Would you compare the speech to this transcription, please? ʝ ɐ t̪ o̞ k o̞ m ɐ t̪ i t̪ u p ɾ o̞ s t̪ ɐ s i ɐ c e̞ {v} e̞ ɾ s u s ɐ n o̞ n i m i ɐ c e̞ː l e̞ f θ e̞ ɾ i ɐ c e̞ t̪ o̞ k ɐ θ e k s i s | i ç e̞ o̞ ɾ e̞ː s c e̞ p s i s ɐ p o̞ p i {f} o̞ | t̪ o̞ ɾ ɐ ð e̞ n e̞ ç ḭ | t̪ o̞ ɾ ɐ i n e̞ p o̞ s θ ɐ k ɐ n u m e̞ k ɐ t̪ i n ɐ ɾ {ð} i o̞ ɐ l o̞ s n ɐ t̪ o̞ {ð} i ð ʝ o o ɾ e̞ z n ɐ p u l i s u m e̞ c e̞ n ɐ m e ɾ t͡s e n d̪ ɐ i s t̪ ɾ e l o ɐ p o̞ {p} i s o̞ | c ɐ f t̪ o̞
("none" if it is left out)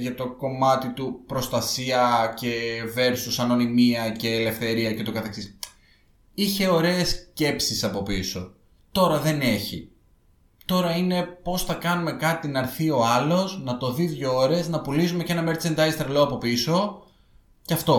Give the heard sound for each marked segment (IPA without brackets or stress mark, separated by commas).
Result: v, s, θ, ð, p